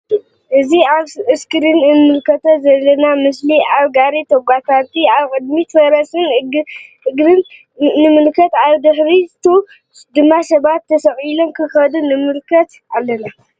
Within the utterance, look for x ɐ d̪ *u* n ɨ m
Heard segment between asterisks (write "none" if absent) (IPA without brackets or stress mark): u